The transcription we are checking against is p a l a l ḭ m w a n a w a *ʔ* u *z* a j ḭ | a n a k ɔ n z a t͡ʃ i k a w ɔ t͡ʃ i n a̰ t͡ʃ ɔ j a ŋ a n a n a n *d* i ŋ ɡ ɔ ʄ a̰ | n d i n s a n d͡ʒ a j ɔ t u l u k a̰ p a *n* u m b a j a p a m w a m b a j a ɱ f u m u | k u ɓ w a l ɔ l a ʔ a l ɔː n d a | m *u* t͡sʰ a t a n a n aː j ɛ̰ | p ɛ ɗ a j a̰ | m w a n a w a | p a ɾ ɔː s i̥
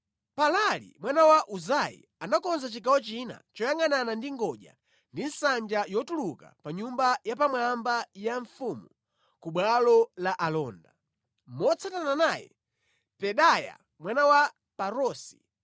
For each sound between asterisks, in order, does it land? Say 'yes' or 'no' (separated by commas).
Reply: yes, yes, yes, no, no